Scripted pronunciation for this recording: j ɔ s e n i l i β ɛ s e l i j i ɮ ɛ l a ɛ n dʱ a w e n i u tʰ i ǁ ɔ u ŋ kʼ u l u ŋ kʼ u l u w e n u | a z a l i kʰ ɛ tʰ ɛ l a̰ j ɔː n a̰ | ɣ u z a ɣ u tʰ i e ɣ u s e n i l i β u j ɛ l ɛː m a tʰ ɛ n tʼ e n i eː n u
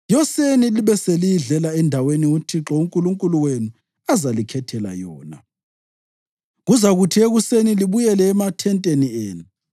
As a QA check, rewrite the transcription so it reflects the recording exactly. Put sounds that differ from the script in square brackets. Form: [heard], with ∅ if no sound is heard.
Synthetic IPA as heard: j ɔ s e n i l i β ɛ s e l i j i ɮ ɛ l a ɛ n dʱ a w e n i u tʰ i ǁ ɔ u ŋ kʼ u l u ŋ kʼ u l u w e n u | a z a l i kʰ ɛ tʰ ɛ l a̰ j ɔː n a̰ | ɣ u z a ɣ u tʰ i e ɣ u s e n i l i β u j ɛ l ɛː m a tʰ ɛ n tʼ e n i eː n u